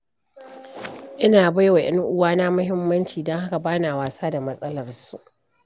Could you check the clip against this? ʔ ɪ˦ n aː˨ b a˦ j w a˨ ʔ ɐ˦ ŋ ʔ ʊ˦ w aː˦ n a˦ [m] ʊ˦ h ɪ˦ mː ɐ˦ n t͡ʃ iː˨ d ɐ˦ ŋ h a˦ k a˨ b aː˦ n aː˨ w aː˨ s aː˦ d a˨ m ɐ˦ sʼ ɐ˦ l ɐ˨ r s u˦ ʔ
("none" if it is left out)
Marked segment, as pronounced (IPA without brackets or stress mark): m